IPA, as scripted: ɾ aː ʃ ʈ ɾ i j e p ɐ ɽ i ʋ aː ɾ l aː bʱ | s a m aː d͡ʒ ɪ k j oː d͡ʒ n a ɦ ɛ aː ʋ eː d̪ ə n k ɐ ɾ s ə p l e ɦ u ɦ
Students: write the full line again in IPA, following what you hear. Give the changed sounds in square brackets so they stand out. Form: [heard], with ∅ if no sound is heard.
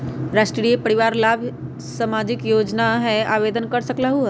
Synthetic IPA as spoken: ɾ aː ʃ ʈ ɾ i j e p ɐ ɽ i ʋ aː ɾ l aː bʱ | s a m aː d͡ʒ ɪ k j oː d͡ʒ n a ɦ ɛ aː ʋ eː d̪ ə n k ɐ ɾ s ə [k] l [a] ɦ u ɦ